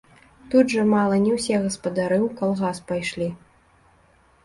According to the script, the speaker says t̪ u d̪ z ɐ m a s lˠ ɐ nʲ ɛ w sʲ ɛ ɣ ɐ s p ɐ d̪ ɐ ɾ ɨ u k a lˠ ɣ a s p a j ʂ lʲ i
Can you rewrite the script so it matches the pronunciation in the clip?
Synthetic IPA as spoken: t̪ u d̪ ʐ ɐ m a lˠ ɐ nʲ ɛ w sʲ ɛ ɣ ɐ s p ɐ d̪ a ɾ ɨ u k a lˠ ɣ a s p a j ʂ lʲ i

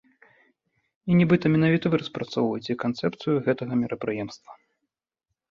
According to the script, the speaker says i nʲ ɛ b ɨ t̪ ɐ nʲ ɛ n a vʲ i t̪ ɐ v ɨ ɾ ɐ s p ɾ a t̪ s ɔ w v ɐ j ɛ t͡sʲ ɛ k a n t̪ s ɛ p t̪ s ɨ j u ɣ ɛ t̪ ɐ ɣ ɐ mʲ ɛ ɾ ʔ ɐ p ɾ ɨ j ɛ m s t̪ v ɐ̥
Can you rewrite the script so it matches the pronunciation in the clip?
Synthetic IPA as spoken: i nʲ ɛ b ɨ t̪ ɐ mʲ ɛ n a vʲ i t̪ ɐ v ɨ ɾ ɐ s p ɾ a t̪ s ɔ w v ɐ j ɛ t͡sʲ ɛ k a n t̪ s ɛ p t̪ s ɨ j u ɣ ɛ t̪ ɐ ɣ ɐ mʲ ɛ ɾ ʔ ɐ p ɾ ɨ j ɛ m s t̪ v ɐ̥

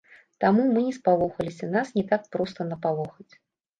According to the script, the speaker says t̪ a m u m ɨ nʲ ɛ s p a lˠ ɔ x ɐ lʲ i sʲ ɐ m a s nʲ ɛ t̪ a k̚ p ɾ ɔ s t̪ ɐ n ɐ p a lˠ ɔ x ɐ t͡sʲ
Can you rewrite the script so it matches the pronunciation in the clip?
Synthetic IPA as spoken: t̪ a m u m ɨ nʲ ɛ s p a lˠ ɔ x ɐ lʲ i sʲ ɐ n a s nʲ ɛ t̪ a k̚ p ɾ ɔ s t̪ ɐ n ɐ p a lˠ ɔ x ɐ t͡sʲ

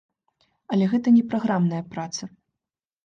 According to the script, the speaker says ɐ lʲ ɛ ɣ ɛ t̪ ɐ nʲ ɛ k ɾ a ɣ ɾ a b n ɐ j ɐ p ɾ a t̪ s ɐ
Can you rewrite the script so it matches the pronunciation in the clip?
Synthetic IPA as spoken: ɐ lʲ ɛ ɣ ɛ t̪ ɐ nʲ ɛ p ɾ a ɣ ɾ a m n ɐ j ɐ p ɾ a t̪ s ɐ

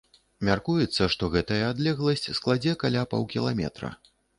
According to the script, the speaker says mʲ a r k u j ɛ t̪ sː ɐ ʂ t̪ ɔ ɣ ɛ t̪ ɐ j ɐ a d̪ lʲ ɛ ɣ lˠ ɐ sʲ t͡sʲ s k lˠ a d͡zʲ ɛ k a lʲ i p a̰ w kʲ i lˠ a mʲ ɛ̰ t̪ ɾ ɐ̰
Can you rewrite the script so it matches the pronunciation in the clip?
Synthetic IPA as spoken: mʲ a r k u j ɛ t̪ sː ɐ ʂ t̪ ɔ ɣ ɛ t̪ ɐ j ɐ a d̪ lʲ ɛ ɣ lˠ ɐ sʲ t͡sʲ s k lˠ a d͡zʲ ɛ k a lʲ a p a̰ w kʲ i lˠ a mʲ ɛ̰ t̪ ɾ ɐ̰

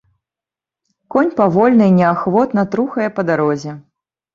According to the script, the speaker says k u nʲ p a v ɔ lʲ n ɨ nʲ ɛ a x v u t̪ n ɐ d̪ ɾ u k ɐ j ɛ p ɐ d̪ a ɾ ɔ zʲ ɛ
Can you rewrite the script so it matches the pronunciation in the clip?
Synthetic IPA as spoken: k ɔ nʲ p a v ɔ lʲ n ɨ nʲ ɛ a x v ɔ t̪ n ɐ t̪ ɾ u x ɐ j ɛ p ɐ d̪ a ɾ ɔ zʲ ɛ

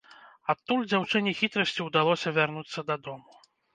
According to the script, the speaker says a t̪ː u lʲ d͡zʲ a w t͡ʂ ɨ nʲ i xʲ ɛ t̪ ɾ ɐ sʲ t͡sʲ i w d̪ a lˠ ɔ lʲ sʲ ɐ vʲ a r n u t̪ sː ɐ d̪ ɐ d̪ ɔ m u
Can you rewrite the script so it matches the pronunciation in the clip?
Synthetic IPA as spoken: a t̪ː u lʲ d͡zʲ a w t͡ʂ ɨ nʲ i xʲ i t̪ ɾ ɐ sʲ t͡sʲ i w d̪ a lˠ ɔ sʲ ɐ vʲ a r n u t̪ sː ɐ d̪ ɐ d̪ ɔ m u

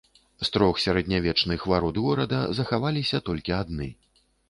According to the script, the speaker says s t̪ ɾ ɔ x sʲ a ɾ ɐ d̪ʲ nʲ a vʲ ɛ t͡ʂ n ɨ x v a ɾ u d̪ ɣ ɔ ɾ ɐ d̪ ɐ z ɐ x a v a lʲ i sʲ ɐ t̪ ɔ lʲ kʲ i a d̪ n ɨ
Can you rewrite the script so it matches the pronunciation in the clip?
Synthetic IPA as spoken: s t̪ ɾ ɔ x sʲ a ɾ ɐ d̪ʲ nʲ a vʲ ɛ t͡ʂ n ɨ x v a ɾ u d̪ ɣ ɔ ɾ ɐ d̪ ɐ z ɐ x a v a lʲ i sʲ ɐ t̪ ɔ lʲ kʲ i a d̪ n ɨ

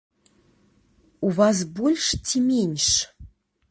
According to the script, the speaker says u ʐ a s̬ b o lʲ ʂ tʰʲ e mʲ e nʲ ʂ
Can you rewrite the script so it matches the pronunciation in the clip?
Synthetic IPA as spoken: u v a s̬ b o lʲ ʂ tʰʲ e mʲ e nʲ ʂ

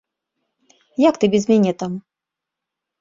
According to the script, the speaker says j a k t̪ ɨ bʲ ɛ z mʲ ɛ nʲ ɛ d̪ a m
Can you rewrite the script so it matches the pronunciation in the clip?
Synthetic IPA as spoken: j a k t̪ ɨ bʲ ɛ z mʲ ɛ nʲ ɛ t̪ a m

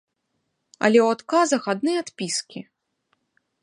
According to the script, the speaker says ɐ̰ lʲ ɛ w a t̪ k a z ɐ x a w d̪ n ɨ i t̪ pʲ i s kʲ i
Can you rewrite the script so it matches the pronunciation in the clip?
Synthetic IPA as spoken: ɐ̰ lʲ ɛ w a t̪ k a z ɐ x a d̪ n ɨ a t̪ pʲ i s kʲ i

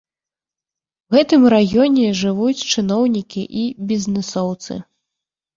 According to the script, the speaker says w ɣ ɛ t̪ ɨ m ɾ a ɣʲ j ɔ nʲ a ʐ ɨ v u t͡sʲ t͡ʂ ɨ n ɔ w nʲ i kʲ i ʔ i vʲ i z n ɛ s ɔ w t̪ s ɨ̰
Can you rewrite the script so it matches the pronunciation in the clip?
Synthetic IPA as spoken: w ɣ ɛ t̪ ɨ m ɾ a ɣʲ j ɔ nʲ ɛ ʐ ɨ v u t͡sʲ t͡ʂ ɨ n ɔ w nʲ i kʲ i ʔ i bʲ i z n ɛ s ɔ w t̪ s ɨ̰

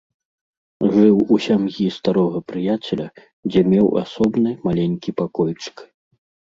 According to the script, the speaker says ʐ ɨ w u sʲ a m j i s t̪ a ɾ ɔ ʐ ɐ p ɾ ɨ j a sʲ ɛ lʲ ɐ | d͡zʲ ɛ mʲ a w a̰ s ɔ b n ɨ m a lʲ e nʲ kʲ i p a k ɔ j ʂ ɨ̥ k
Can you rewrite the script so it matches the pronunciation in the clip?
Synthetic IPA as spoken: ʐ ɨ w u sʲ a m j i s t̪ a ɾ ɔ ɣ ɐ p ɾ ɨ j a t͡sʲ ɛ lʲ ɐ | d͡zʲ ɛ mʲ ɛ w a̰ s ɔ b n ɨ m a lʲ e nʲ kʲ i p a k ɔ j t͡ʂ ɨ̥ k

